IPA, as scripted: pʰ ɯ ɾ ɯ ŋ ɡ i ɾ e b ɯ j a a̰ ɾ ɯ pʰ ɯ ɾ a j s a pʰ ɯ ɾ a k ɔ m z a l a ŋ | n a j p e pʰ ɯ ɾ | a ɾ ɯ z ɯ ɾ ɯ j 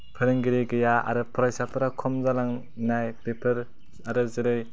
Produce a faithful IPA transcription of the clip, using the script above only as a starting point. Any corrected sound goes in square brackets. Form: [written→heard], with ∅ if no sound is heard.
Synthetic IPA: pʰ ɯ ɾ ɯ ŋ ɡ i ɾ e [b→ɡ] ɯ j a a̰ ɾ ɯ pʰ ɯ ɾ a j s a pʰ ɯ ɾ a [k→kʰ] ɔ m z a l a ŋ | n a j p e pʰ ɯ ɾ | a ɾ ɯ z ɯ ɾ ɯ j